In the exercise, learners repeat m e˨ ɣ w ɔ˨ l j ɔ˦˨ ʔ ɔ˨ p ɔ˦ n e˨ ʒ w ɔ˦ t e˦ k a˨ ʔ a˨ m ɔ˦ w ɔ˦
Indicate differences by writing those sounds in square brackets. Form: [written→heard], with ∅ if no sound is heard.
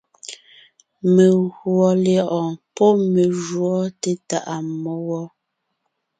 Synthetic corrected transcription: m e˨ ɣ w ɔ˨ l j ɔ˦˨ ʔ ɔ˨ p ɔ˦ [n→m] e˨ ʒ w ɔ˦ t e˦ [k→t] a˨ ʔ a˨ m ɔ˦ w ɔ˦